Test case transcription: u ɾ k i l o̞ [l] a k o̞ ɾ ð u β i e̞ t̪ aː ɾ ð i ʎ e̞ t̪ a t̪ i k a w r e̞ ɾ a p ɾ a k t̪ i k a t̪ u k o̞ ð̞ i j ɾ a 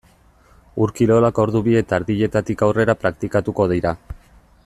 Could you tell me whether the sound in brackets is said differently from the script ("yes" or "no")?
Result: no